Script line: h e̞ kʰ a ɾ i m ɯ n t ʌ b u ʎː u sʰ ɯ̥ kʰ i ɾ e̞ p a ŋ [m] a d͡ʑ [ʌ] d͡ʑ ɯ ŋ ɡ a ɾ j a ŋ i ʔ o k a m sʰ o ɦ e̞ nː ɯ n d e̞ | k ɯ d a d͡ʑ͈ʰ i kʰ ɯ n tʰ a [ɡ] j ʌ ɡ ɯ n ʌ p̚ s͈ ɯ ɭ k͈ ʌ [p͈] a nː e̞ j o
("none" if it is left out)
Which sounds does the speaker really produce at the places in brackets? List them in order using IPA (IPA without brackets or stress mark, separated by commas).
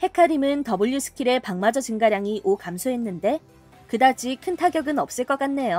m, ʌ, ɡ, k͈